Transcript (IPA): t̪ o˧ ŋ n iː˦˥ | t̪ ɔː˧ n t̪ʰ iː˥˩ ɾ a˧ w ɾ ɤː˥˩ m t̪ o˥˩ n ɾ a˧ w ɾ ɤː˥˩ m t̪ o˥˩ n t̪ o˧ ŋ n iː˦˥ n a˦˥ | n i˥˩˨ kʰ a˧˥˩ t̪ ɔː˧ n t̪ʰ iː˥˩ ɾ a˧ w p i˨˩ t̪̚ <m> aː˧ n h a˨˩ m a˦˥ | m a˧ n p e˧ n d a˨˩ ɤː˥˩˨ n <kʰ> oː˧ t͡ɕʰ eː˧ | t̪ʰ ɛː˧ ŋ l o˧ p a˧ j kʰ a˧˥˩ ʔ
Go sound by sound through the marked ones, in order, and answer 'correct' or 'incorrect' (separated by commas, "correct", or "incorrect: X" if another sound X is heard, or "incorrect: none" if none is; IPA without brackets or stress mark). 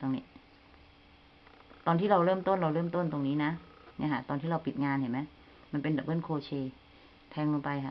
incorrect: ŋ, correct